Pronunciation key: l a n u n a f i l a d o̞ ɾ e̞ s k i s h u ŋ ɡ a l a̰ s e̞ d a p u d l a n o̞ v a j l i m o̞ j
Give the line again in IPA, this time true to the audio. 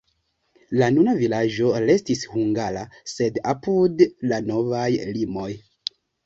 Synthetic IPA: l a n u n a v i l a d͡ʒ o̞ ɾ e̞ s t i s h u ŋ ɡ a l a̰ s e̞ d a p u d l a n o̞ v a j l i m o̞ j